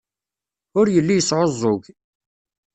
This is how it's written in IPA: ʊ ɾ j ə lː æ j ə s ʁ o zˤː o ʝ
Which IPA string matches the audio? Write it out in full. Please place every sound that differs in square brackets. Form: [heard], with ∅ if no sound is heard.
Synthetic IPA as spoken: ʊ ɾ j ə lː [i] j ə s [ʕ] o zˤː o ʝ